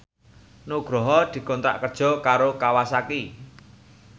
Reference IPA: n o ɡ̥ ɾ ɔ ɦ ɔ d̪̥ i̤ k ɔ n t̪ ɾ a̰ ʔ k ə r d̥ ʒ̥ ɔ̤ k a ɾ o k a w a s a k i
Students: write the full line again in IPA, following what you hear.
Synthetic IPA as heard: n o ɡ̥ ɾ ɔ ɦ ɔ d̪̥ i̤ k ɔ n t̪ ɾ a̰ ʔ k ə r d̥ ʒ̥ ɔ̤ k a ɾ o k a w a s a k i